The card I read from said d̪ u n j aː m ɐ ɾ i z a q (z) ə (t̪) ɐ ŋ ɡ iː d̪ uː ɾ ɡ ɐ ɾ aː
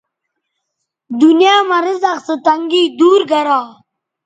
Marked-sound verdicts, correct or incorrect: incorrect: s, correct

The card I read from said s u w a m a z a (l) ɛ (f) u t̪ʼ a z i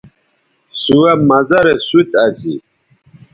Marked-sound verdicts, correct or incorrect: incorrect: ɾ, incorrect: s

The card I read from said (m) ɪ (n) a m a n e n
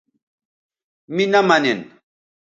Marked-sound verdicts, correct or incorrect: correct, correct

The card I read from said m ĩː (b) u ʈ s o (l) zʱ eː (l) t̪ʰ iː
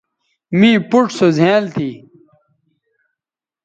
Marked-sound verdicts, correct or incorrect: incorrect: p, incorrect: none, correct

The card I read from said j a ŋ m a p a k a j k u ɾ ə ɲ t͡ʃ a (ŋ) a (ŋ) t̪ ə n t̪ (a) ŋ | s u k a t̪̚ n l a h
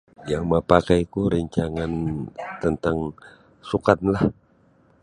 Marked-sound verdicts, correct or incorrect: correct, incorrect: n, correct

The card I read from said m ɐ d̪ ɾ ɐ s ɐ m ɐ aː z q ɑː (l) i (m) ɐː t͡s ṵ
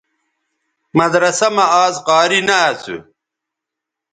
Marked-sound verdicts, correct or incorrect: incorrect: ɾ, incorrect: n

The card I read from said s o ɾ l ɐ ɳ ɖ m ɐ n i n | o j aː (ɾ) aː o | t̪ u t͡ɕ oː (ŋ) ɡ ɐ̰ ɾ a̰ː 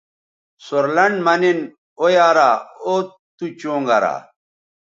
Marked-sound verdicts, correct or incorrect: correct, correct

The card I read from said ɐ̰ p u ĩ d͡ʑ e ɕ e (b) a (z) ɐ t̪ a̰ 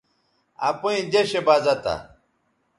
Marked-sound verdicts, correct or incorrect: correct, correct

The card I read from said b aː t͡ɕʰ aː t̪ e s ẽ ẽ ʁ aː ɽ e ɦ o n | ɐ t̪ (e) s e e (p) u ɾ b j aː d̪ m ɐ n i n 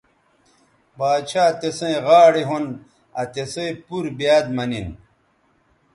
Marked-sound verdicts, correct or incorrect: correct, correct

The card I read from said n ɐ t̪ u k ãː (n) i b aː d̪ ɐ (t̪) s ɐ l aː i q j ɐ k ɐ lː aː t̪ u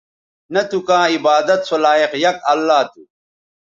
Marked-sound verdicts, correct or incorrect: incorrect: none, correct

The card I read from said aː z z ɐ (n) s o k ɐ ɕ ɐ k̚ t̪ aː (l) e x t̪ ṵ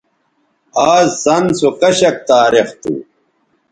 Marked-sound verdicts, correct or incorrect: correct, incorrect: ɾ

